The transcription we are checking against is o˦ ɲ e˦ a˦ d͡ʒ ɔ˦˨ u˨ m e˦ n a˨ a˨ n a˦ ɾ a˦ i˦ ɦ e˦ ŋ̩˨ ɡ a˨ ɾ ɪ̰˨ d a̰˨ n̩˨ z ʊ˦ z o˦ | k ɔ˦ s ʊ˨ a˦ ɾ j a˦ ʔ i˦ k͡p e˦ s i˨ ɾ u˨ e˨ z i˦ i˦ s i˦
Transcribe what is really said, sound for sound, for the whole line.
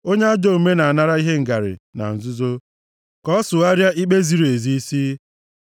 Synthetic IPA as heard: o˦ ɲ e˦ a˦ d͡ʒ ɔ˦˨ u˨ m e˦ n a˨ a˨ n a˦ ɾ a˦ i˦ ɦ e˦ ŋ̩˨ ɡ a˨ ɾ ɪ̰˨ n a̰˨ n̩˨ z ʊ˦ z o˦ | k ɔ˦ s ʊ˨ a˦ ɾ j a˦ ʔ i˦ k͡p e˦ z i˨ ɾ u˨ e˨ z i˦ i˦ s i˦